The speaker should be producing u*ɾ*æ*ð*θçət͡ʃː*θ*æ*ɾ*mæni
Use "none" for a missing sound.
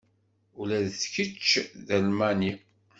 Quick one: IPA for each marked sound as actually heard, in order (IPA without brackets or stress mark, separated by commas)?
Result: l, ð, ð, l